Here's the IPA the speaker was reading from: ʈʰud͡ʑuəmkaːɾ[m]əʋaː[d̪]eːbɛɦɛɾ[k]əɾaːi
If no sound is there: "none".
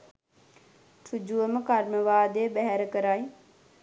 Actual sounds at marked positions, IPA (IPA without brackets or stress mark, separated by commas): m, d̪, k